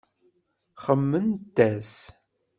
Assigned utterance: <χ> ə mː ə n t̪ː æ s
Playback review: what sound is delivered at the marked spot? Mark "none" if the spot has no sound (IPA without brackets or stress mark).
χ